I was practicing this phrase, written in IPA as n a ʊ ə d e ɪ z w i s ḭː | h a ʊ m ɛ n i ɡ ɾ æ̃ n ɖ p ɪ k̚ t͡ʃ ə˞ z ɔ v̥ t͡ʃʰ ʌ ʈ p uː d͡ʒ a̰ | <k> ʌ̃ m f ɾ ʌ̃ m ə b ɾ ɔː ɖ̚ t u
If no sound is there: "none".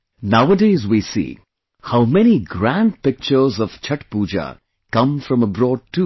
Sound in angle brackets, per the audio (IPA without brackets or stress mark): k